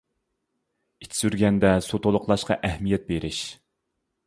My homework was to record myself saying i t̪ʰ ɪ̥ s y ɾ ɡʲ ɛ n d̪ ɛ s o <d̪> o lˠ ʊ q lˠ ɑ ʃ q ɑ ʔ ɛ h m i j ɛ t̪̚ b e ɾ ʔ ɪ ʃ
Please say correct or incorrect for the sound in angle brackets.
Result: incorrect: t̪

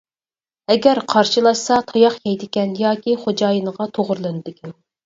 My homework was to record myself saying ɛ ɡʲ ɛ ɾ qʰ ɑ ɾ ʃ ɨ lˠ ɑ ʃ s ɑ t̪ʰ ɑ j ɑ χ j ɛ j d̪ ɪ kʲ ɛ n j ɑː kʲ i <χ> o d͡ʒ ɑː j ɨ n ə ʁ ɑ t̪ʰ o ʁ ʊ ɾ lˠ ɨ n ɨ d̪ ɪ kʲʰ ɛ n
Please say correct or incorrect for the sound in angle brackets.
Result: correct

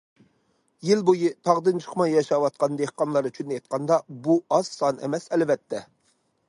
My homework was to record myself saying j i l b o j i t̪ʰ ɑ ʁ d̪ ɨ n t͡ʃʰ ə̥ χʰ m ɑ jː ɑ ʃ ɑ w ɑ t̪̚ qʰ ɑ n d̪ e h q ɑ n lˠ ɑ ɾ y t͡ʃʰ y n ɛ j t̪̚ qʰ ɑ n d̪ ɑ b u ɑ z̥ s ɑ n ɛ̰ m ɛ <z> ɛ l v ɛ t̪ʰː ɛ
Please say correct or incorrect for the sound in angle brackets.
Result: incorrect: s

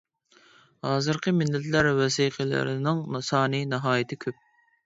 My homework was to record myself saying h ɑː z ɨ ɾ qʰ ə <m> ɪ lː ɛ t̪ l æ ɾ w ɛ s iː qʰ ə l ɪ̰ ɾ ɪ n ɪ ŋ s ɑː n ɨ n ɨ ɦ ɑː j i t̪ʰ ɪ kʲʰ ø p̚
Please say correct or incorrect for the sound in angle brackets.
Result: correct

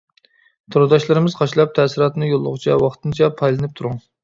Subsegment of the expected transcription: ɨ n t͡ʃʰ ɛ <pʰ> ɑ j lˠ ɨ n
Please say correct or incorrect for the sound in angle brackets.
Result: correct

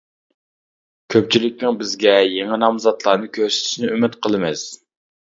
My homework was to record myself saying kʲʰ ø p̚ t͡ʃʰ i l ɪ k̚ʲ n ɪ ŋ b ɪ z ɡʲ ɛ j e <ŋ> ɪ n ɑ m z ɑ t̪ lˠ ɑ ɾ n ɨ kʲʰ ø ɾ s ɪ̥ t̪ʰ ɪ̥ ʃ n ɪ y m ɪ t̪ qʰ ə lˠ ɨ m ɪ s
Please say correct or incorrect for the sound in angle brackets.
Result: correct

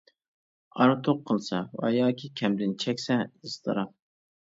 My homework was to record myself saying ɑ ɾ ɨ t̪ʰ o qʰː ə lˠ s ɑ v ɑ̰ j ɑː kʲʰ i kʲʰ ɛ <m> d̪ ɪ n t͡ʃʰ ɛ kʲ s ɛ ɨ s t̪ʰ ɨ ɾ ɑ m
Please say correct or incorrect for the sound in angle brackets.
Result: correct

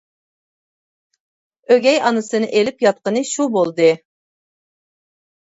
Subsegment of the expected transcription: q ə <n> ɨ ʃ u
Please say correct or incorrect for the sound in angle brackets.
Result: correct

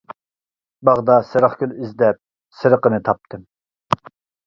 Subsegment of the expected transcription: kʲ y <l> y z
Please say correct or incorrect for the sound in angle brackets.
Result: correct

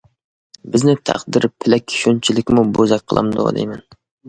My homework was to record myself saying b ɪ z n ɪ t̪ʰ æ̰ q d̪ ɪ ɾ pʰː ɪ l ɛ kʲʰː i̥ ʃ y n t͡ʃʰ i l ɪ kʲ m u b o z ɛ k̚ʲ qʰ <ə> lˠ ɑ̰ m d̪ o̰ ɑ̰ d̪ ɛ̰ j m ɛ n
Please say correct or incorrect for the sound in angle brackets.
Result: correct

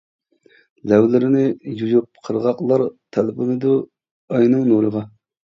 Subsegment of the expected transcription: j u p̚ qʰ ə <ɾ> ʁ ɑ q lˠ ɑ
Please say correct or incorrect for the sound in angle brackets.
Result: correct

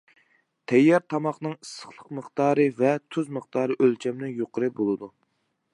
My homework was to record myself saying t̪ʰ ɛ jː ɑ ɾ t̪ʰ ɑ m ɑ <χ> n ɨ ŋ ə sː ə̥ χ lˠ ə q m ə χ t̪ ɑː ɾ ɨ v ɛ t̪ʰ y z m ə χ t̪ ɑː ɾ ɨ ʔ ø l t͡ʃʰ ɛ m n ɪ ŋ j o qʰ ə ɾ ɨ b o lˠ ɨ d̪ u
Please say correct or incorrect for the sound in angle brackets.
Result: correct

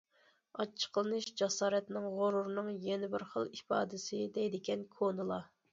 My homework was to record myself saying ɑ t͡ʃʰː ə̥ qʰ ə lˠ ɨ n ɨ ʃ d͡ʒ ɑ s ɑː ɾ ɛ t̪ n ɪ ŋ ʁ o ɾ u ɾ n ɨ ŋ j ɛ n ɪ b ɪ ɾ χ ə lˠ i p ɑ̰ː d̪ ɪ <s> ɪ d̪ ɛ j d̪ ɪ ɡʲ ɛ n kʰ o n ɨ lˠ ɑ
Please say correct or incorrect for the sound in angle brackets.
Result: correct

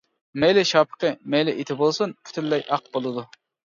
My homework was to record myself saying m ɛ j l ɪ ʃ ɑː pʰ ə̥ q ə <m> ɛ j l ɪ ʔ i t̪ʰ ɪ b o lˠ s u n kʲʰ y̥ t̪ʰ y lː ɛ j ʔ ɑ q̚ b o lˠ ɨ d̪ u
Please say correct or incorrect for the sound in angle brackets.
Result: correct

